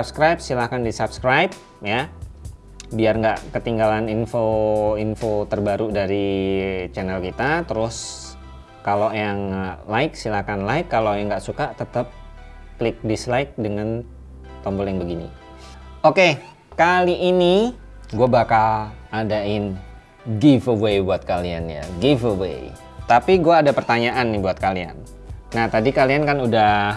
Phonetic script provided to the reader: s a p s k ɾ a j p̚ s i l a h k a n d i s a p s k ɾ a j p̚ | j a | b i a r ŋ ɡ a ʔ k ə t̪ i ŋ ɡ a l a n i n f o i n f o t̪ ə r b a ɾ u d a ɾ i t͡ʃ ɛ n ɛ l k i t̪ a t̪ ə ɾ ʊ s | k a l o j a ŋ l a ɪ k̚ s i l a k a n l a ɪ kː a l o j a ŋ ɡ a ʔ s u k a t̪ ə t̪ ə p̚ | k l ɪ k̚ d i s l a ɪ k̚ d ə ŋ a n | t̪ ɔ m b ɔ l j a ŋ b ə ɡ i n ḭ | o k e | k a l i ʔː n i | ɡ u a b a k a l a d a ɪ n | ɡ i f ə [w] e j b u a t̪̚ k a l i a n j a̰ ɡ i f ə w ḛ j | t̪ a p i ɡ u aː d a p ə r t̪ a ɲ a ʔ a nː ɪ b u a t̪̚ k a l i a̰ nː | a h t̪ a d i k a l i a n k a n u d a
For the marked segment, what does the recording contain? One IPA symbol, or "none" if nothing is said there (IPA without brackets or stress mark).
w